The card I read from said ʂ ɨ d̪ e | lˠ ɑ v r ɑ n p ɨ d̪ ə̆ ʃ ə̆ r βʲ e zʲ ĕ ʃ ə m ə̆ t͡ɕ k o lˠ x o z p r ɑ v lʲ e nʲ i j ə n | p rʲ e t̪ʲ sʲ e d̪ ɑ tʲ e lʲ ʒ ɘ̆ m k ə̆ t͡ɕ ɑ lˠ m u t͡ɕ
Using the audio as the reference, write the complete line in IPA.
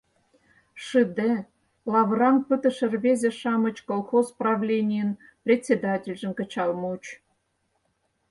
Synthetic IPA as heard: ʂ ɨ d̪ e | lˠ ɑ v r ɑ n p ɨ t̪ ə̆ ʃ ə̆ r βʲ e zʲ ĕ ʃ ɑ m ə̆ t͡ɕ k o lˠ x o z p r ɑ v lʲ e nʲ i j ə n | p rʲ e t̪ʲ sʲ e d̪ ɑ tʲ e lʲ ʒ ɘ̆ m k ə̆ t͡ɕ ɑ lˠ m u t͡ɕ